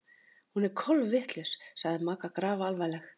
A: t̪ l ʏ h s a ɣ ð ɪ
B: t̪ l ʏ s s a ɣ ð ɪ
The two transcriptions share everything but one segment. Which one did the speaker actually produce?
B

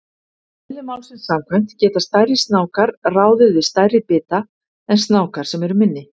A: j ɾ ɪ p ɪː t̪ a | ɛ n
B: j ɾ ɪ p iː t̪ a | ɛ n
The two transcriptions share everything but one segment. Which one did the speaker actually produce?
A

